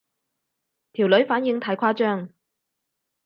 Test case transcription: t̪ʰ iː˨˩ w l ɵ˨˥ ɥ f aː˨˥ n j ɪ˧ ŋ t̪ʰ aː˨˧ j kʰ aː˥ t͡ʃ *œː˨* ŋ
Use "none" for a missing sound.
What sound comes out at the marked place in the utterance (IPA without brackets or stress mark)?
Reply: œː˥